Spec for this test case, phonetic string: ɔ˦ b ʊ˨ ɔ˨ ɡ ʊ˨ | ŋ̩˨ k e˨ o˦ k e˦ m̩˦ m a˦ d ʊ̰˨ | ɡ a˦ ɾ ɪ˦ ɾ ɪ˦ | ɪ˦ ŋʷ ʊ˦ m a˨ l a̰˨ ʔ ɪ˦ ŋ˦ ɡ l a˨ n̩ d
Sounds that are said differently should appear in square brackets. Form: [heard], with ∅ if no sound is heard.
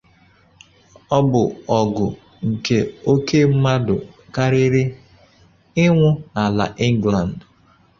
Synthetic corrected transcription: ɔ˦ b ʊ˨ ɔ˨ ɡ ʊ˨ | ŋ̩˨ k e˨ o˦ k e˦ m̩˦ m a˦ d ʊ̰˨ | [k] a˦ ɾ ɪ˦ ɾ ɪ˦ | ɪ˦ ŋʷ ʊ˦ [n] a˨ l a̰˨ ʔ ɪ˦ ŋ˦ ɡ l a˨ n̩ d